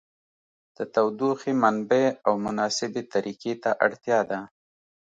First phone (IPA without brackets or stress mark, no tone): d̪̥